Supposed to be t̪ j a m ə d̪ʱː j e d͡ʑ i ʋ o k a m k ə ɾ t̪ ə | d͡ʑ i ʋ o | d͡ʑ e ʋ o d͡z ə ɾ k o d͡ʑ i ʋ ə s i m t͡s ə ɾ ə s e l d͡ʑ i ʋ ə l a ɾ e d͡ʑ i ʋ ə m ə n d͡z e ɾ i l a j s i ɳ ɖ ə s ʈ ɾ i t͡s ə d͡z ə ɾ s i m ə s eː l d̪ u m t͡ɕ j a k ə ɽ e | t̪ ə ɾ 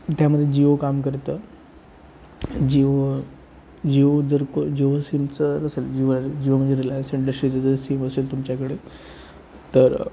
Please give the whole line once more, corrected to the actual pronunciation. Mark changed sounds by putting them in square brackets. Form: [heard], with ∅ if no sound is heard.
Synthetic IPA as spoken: t̪ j a m ə d̪ʱː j e d͡ʑ i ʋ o k a m k ə ɾ t̪ ə | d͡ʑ i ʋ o | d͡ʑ [i] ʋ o d͡z ə ɾ k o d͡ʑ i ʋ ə s i m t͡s ə ɾ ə s e l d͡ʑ i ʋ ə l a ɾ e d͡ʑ i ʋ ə m ə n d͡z e ɾ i l a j s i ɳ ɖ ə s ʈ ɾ i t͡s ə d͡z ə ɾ s i m ə s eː l [t̪] u m t͡ɕ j a k ə ɽ e | t̪ ə ɾ